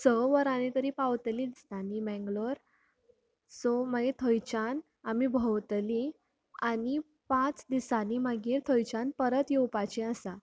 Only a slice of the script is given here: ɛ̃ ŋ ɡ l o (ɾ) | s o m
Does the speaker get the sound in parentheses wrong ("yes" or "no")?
no